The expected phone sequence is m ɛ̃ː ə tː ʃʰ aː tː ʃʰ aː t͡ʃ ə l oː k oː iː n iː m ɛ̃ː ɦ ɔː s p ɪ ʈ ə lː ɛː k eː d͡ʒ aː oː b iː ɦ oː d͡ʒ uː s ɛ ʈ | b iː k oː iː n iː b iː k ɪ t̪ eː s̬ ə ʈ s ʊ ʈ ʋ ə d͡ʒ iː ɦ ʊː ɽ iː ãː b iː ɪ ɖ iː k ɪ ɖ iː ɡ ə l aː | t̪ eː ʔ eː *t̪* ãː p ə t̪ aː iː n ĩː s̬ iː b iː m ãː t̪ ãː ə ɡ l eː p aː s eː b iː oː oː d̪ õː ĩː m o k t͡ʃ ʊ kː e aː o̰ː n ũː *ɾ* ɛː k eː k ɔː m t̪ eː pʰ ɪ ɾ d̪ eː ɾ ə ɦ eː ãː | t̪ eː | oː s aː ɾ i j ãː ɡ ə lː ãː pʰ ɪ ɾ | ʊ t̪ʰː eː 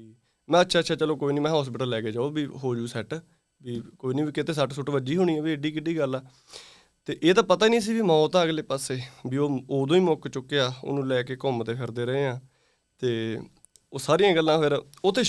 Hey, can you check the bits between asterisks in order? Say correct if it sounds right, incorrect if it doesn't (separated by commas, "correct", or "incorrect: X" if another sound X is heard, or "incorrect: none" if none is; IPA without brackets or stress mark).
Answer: correct, incorrect: l